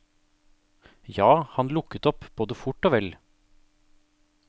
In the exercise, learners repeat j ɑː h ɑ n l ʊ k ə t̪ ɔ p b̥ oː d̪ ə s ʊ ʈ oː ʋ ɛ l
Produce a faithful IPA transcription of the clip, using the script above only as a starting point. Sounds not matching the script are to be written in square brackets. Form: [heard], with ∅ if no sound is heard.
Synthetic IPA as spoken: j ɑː h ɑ n l ʊ k ə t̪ ɔ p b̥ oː d̪ ə [f] ʊ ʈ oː ʋ ɛ l